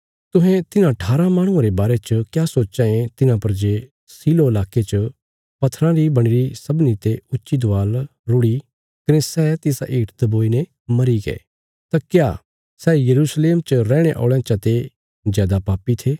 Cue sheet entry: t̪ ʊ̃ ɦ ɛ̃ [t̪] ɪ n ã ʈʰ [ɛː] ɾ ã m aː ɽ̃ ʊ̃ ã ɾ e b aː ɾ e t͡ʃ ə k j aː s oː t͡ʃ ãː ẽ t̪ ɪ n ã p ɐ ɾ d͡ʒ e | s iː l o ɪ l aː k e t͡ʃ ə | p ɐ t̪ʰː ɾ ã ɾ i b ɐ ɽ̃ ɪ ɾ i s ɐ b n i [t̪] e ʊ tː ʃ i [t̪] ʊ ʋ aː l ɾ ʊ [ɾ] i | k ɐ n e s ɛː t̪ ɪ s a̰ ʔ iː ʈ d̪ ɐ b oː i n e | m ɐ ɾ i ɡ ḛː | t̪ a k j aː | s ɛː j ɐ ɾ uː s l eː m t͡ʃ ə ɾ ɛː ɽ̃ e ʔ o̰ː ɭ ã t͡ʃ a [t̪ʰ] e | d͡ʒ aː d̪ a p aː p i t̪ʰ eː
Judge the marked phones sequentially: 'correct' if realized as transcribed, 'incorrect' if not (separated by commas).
correct, incorrect, correct, incorrect, incorrect, incorrect